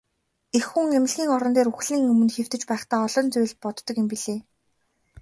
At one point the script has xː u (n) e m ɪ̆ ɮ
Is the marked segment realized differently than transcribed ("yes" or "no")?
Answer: yes